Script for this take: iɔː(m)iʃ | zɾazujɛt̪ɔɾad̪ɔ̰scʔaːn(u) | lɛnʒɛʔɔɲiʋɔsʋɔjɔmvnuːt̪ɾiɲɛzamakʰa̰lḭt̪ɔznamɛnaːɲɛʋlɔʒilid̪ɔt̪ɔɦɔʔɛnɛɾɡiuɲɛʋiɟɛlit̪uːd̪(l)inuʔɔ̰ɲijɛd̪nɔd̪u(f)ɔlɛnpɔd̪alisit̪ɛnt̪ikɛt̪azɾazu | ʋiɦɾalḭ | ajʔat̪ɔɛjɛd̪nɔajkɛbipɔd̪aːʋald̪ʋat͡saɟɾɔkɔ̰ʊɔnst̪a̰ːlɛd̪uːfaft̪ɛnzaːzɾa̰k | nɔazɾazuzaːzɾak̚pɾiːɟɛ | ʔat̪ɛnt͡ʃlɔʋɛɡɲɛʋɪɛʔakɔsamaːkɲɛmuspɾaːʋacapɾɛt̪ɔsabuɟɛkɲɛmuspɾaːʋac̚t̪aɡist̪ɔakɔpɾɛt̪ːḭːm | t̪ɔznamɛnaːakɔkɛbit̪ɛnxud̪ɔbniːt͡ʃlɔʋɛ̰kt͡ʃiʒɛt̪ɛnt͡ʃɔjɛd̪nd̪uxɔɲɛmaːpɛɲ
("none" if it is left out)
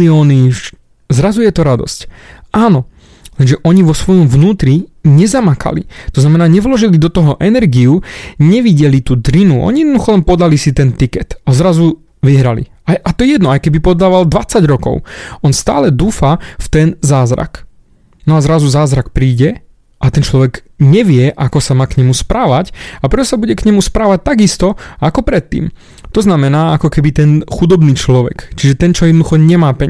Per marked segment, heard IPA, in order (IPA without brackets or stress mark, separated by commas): n, ɔ, ɾ, x